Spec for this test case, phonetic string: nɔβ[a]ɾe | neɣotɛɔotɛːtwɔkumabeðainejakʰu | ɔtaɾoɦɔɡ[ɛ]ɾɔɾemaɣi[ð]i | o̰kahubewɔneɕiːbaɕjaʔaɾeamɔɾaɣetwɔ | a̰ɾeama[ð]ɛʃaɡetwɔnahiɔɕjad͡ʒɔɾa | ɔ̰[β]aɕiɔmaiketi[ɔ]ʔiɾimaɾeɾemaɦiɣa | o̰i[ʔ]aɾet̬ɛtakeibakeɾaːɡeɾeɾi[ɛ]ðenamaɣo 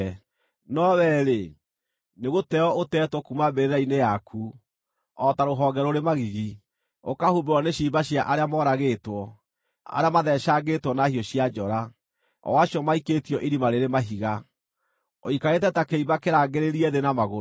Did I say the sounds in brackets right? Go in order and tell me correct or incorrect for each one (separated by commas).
incorrect, correct, incorrect, correct, incorrect, correct, incorrect, correct